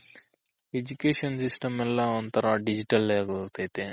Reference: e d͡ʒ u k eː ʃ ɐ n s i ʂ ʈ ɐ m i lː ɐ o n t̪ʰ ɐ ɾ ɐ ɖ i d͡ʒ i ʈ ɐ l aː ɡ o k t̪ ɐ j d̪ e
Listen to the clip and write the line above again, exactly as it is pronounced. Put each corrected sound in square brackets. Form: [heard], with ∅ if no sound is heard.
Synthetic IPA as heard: e d͡ʒ u k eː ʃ ɐ n s i [s] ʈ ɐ m [ɛ] lː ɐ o n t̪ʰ ɐ ɾ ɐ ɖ i d͡ʒ i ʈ ɐ l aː ɡ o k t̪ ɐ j [t̪] e

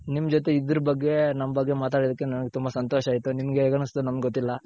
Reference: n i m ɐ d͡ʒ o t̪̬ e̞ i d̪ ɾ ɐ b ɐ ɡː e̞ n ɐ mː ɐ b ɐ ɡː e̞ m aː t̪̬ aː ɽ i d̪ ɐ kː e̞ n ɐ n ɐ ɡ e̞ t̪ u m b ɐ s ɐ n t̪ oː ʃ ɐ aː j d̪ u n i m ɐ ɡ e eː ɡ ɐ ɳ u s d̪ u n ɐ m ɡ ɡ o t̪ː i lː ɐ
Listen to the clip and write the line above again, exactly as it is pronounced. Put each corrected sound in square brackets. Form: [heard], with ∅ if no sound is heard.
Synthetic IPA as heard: n i m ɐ d͡ʒ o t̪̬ e̞ i d̪ ɾ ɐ b ɐ ɡː e̞ n ɐ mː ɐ b ɐ ɡː e̞ m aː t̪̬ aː ɽ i d̪ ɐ kː e̞ n ɐ n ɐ ɡ e̞ t̪ u m b ɐ s ɐ n t̪ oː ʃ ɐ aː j [t̪] u n i m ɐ ɡ e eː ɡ ɐ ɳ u s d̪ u n ɐ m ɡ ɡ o t̪ː i lː ɐ

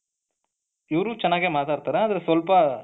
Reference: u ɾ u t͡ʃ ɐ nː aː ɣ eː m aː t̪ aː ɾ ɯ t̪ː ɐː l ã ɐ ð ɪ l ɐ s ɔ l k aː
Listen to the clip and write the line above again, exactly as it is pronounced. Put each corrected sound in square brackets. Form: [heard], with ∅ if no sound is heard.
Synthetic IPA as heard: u ɾ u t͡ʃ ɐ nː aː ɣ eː m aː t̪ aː ɾ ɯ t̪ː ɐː [ɾ] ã ɐ ð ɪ l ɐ s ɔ l [p] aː

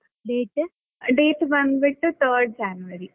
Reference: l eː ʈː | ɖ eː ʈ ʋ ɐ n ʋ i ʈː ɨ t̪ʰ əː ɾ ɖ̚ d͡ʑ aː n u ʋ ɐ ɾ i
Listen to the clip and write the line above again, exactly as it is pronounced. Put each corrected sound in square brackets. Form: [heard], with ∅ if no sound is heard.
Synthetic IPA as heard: l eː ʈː | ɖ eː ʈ ʋ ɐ n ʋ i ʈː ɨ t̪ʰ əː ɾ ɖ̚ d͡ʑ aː n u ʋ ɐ ɾ i

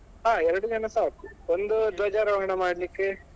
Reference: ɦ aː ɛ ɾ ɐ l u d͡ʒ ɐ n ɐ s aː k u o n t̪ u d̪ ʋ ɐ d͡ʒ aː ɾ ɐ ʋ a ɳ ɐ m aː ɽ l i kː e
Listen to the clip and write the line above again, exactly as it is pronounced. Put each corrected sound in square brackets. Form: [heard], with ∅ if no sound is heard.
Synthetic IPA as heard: ɦ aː ɛ ɾ ɐ [ɽ] u d͡ʒ ɐ n ɐ s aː k u o n [d̪] u d̪ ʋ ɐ d͡ʒ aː ɾ ɐ ʋ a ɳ ɐ m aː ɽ l i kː e

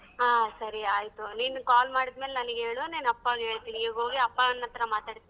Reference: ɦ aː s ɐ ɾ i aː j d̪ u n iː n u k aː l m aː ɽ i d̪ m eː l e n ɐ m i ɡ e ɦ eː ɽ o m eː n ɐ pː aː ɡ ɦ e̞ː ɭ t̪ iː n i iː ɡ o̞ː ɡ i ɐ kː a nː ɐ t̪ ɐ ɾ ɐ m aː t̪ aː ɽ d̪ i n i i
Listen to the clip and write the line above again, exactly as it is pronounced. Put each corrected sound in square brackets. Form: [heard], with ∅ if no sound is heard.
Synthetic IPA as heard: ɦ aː s ɐ ɾ i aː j [t̪] u n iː n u k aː l m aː ɽ i d̪ m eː l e n ɐ [n] i ɡ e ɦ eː [ɭ] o [n] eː n ɐ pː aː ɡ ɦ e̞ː ɭ t̪ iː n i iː ɡ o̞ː ɡ i ɐ [pː] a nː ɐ t̪ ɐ ɾ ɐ m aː t̪ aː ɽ [t̪] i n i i

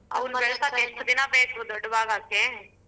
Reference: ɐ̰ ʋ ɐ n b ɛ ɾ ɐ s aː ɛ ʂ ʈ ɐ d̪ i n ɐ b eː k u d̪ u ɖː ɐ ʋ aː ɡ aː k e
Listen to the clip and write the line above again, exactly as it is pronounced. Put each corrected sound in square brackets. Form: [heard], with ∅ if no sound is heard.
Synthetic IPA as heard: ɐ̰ ʋ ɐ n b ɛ [ɭ] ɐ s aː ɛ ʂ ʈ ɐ d̪ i n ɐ b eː k u d̪ [ɔ] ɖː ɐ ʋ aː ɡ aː k e

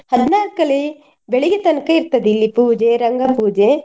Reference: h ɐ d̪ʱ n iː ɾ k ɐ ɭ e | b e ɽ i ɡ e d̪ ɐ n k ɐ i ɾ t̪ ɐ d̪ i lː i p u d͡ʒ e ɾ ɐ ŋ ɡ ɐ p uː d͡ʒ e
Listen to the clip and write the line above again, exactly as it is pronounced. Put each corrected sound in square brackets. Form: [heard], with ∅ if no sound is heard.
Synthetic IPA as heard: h ɐ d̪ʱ n [aː] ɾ k ɐ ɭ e | b e [ɭ] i ɡ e [t̪] ɐ n k ɐ i ɾ t̪ ɐ d̪ i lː i p [uː] d͡ʒ e ɾ ɐ ŋ ɡ ɐ p uː d͡ʒ e

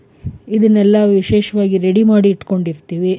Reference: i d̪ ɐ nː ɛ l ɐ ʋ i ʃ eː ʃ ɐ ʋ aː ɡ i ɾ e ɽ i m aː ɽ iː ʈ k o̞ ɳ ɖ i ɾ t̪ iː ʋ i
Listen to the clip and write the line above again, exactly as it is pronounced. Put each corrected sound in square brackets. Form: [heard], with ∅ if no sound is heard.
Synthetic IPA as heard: i d̪ ɐ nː ɛ [lː] ɐ ʋ i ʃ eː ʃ ɐ ʋ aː ɡ i ɾ e ɽ i m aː ɽ iː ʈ k o̞ ɳ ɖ i ɾ t̪ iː ʋ i

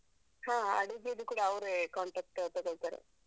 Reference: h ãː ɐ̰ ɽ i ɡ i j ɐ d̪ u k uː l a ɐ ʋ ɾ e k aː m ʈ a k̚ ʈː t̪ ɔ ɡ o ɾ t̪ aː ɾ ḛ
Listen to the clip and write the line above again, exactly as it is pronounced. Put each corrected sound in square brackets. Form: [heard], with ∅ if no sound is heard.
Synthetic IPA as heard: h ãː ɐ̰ ɽ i ɡ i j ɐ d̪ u k uː [ɽ] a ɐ ʋ ɾ e k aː [ɳ] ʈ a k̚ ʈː t̪ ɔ ɡ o [ɭ] t̪ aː ɾ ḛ

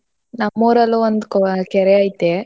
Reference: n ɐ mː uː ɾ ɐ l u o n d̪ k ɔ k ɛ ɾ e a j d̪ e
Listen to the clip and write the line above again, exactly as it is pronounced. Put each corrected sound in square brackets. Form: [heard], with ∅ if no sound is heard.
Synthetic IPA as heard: n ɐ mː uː ɾ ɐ l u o n d̪ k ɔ k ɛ ɾ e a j [t̪] e

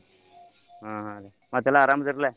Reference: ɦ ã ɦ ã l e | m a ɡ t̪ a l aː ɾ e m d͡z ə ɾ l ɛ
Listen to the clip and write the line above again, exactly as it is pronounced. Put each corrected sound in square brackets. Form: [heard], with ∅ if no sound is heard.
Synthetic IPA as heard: ɦ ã ɦ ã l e | m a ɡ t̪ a l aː ɾ [a] m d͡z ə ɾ l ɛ

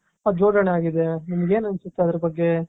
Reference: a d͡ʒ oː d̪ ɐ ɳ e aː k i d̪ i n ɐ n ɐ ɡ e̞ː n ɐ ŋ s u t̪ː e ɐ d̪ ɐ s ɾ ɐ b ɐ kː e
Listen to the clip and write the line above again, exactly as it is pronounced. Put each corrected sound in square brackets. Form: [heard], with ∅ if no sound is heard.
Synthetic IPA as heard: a d͡ʒ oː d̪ ɐ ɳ e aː [ɡ] i d̪ [e] n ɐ [m] ɐ ɡ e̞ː n ɐ [n] s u t̪ː e ɐ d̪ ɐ [∅] ɾ ɐ b ɐ [ɡː] e

